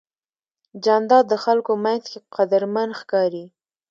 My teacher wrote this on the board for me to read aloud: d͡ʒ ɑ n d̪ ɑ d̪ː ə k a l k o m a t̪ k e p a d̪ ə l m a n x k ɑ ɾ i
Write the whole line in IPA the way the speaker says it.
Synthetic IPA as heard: d͡ʒ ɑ n d̪ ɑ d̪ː ə x a l k o m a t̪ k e q a d̪ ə ɾ m a n x k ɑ ɾ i